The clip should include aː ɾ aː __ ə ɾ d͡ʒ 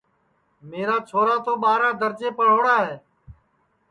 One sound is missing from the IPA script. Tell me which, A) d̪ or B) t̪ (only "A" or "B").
A